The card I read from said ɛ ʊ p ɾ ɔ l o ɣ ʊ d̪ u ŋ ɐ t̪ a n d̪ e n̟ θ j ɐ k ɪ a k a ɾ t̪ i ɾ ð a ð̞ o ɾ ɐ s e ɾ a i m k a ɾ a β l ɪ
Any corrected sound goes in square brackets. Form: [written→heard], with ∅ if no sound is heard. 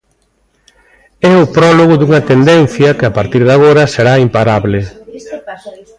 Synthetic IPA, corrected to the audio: ɛ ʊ p ɾ ɔ l o ɣ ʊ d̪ u ŋ ɐ t̪ [a→e] n d̪ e n̟ θ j ɐ k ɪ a [k→p] a ɾ t̪ i ɾ ð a [ð̞→ɣ̞] o ɾ ɐ s e ɾ a i m [k→p] a ɾ a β l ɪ